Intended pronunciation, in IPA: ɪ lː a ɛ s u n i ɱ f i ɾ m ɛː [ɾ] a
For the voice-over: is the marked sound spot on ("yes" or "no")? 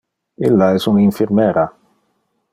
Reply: yes